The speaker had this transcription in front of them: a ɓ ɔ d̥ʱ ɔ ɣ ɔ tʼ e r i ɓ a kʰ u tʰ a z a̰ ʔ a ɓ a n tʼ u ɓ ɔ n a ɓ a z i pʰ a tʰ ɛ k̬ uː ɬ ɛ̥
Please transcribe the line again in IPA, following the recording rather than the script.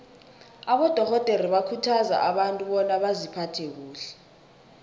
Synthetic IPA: a ɓ ɔ d̥ʱ ɔ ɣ ɔ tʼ e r i ɓ a kʰ u tʰ a z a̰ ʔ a ɓ a n tʼ u ɓ ɔ n a ɓ a z i pʰ a tʰ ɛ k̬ uː ɬ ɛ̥